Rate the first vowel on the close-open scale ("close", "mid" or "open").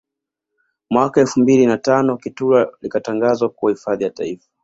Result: open